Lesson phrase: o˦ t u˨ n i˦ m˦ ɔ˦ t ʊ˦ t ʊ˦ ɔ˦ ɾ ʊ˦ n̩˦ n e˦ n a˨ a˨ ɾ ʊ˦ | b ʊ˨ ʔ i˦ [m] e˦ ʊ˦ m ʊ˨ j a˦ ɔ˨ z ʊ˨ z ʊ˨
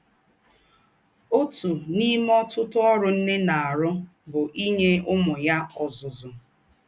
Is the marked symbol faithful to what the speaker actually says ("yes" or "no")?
no